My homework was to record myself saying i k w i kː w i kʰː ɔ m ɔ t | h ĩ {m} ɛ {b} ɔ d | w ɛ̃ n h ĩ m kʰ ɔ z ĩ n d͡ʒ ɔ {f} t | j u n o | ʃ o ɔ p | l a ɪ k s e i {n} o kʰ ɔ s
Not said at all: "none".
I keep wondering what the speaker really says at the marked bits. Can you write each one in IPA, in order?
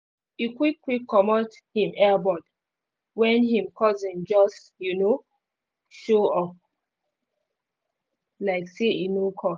m, b, s, n

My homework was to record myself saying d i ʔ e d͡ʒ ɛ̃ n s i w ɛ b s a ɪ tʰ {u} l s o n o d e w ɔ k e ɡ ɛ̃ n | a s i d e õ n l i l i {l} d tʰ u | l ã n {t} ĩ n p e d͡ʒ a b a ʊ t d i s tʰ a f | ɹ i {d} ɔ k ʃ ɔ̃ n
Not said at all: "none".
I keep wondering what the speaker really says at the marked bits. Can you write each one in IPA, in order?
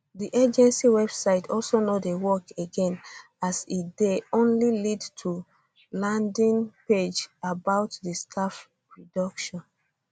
ɔ, none, d, d

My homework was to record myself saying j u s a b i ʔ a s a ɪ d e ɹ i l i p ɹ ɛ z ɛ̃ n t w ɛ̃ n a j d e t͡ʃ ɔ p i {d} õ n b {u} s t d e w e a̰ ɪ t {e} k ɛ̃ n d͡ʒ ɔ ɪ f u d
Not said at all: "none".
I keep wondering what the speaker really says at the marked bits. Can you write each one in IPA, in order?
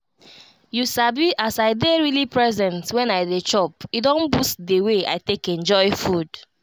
d, u, e

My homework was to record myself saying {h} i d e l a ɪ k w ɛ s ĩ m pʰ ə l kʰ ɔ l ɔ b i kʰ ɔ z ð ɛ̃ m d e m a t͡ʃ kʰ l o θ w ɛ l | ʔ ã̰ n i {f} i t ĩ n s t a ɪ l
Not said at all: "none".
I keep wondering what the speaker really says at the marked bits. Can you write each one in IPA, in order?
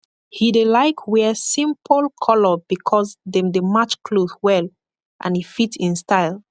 h, f

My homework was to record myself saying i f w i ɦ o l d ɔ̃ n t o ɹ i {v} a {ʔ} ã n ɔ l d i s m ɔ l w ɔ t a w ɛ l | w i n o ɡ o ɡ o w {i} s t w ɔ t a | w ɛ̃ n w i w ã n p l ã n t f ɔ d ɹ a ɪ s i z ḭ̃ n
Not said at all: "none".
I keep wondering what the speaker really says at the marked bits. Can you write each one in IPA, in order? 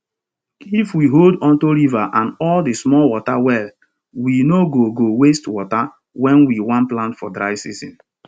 v, ʔ, e

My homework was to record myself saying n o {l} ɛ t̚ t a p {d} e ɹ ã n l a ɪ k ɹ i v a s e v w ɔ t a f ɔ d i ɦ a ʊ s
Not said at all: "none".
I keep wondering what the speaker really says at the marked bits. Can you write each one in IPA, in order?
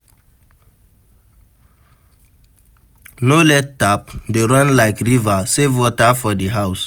l, d

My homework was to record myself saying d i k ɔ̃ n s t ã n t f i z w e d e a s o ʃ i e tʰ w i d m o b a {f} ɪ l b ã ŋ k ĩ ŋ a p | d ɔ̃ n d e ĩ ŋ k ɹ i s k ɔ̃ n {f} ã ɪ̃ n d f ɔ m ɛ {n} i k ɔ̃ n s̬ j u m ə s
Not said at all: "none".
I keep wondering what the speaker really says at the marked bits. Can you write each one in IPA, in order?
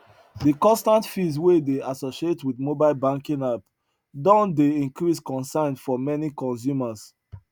none, s, n

